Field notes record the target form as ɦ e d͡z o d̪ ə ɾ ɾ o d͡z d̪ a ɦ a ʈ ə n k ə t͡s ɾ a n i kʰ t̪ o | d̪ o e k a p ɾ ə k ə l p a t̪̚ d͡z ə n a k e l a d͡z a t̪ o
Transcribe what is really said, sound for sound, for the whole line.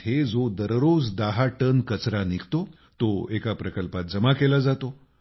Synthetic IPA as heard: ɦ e d͡z o d̪ ə ɾ ɾ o d͡z d̪ a ɦ a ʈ ə n k ə t͡s ɾ a n i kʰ t̪ o | t̪ o e k a p ɾ ə k ə l p a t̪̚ d͡z ə m a k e l a d͡z a t̪ o

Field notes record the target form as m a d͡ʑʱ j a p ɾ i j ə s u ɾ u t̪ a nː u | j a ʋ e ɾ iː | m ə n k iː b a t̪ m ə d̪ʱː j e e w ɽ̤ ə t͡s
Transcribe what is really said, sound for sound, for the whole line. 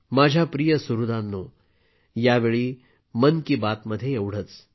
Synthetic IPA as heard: m a d͡ʑʱ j a p ɾ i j ə s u ɾ u d̪ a nː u | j a ʋ e ɭ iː | m ə n k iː b a t̪ m ə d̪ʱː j e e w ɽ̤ ə t͡s

